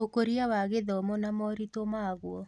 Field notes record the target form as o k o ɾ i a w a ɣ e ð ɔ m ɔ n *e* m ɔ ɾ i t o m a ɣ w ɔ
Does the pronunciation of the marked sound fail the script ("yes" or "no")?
yes